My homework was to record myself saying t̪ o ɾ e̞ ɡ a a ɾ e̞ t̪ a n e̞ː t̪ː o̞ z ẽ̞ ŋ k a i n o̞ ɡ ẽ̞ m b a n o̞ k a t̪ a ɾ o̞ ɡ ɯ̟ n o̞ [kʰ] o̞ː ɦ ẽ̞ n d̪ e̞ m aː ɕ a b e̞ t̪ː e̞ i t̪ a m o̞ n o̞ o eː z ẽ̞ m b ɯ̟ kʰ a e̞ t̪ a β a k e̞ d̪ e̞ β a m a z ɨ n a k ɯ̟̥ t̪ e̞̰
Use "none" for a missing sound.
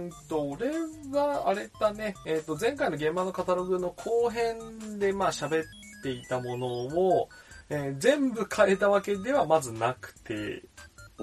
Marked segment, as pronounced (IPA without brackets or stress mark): kʰ